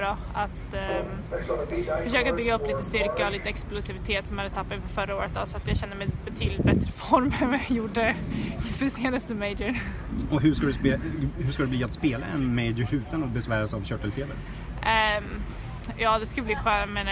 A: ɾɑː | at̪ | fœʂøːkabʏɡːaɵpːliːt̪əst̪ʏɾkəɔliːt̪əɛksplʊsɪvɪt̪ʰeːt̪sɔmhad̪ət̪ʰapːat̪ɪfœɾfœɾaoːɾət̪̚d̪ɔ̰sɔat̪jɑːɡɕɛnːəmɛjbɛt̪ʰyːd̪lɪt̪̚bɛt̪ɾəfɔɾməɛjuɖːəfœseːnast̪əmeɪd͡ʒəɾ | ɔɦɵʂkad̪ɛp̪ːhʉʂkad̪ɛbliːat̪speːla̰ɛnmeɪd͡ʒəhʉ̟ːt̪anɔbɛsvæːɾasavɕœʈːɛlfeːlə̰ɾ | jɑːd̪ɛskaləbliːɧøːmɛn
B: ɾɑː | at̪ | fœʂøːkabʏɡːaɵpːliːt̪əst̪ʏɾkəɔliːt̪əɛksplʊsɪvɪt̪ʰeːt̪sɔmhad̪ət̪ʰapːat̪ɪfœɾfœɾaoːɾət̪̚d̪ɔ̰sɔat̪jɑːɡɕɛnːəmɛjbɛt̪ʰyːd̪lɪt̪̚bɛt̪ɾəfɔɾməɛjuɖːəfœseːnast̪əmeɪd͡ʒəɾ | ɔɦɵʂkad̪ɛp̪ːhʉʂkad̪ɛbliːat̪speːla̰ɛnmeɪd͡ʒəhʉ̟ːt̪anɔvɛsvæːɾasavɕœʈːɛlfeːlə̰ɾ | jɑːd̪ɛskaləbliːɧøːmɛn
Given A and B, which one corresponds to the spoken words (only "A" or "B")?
A